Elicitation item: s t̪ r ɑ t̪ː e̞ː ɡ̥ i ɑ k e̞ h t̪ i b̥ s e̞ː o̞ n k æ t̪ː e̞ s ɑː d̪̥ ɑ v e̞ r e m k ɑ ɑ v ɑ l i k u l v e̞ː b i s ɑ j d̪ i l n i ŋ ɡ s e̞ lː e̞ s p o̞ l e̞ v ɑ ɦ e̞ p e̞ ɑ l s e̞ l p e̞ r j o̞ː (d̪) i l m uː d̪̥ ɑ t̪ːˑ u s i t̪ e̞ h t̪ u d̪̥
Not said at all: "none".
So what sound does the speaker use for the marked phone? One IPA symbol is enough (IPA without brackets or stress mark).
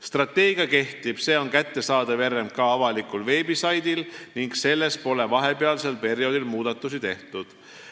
d̪